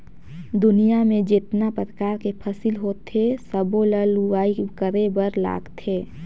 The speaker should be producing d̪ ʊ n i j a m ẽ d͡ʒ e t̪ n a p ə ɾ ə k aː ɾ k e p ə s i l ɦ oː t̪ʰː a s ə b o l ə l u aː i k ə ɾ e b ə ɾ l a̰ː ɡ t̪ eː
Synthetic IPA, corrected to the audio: d̪ ʊ n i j a m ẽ d͡ʒ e t̪ n a p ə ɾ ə k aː ɾ k e pʰ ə s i l ɦ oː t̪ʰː e s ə b o l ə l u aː i k ə ɾ e b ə ɾ l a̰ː ɡ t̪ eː